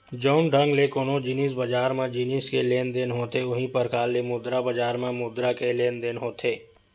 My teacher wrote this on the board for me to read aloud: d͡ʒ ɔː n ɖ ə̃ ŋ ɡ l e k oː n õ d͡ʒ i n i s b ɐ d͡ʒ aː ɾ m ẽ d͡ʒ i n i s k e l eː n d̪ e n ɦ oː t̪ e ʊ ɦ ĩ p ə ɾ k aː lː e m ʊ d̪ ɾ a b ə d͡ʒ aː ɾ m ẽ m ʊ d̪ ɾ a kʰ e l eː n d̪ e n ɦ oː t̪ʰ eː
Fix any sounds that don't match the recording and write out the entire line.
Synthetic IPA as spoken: d͡ʒ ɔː n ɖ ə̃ ŋ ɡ l e k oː n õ d͡ʒ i n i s b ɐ d͡ʒ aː ɾ m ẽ d͡ʒ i n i s k e l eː n d̪ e n ɦ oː t̪ e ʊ ɦ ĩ p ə ɾ k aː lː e m ʊ d̪ ɾ a b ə d͡ʒ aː ɾ m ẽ m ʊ d̪ ɾ a k e l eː n d̪ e n ɦ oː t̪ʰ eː